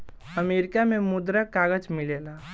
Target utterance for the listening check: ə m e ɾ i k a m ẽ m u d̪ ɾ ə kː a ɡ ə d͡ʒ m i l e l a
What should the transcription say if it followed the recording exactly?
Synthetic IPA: ə m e ɾ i k a m e m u d̪ ɾ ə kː a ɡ ə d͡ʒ m i l e l a